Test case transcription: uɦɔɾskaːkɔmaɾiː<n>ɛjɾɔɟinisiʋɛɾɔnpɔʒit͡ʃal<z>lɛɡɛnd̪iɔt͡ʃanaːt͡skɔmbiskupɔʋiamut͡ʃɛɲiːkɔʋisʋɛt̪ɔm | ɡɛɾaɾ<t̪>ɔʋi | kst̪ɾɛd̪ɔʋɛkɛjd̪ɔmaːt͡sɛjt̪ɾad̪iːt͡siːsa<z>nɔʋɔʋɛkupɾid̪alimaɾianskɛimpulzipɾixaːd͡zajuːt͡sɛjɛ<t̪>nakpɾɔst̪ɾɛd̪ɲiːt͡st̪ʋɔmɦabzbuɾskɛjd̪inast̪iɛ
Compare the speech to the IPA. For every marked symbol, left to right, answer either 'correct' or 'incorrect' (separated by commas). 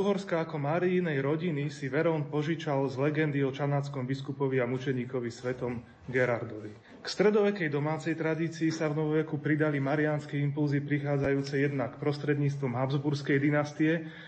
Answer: correct, correct, incorrect, incorrect, incorrect